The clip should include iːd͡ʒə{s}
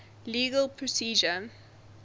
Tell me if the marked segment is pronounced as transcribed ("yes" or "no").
no